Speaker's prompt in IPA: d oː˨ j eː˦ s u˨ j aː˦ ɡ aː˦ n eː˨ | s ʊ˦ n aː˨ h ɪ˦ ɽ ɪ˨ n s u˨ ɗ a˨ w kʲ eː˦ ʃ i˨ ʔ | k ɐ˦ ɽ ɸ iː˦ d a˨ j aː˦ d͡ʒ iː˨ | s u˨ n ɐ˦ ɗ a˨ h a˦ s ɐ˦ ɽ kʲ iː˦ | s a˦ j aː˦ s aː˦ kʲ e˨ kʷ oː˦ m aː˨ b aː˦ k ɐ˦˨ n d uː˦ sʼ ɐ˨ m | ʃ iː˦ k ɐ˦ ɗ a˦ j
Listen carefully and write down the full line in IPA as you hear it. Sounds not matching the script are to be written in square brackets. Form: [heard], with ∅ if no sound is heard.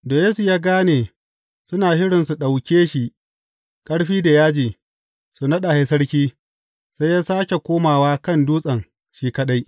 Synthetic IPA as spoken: d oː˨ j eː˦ s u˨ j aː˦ ɡ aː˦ n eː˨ | s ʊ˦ n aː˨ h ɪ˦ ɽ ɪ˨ n s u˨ ɗ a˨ w kʲ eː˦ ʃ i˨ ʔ | [kʼ] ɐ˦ ɽ ɸ iː˦ d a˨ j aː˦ d͡ʒ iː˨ | s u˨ n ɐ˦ ɗ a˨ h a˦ s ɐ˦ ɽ kʲ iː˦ | s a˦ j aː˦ s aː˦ kʲ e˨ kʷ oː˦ m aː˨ [w] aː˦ k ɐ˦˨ n d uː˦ sʼ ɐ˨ [ŋ] | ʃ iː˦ k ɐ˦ ɗ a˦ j

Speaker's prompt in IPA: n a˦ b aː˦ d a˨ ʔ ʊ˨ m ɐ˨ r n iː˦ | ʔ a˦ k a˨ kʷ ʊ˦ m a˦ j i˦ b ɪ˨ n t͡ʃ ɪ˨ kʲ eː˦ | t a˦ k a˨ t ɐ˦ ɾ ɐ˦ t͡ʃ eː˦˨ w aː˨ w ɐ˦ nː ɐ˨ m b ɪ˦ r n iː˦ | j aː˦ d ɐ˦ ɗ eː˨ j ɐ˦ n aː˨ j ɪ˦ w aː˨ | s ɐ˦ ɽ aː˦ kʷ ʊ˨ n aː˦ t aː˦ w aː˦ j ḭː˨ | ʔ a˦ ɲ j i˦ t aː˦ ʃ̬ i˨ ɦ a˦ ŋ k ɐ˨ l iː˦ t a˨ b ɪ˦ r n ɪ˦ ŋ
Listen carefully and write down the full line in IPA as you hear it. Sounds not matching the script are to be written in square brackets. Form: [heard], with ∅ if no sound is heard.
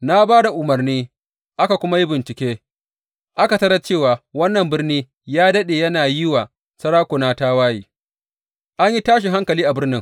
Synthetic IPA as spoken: n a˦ b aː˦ d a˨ ʔ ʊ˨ m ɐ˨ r n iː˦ | ʔ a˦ k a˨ kʷ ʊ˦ m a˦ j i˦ b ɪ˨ n t͡ʃ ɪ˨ kʲ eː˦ | [ʔ] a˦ k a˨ t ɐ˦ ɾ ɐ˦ t͡ʃ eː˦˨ w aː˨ w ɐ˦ nː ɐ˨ m b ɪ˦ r n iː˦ | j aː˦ d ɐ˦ ɗ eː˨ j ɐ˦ n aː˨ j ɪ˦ w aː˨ | s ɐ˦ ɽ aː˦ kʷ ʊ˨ n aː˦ t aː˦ w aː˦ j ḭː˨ | ʔ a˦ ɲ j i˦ t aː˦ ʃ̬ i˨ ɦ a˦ ŋ k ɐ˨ l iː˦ [ʔ] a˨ b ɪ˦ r n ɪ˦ ŋ

